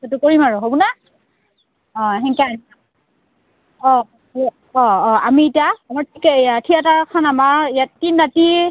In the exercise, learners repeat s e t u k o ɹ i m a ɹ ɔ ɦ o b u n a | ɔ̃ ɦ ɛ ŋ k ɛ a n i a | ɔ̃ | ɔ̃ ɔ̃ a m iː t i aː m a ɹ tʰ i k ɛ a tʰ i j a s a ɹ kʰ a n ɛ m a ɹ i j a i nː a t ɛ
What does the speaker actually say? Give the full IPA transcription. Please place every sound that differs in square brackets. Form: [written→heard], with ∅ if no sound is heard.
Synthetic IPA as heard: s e t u k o ɹ i m a ɹ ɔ ɦ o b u n a | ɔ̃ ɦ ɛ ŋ k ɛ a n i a | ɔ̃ | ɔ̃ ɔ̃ a m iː t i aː m a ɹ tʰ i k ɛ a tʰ i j a [s→t] a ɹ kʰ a n [ɛ→a] m a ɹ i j a i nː a t [ɛ→i]